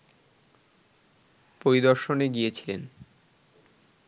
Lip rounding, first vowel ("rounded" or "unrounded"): rounded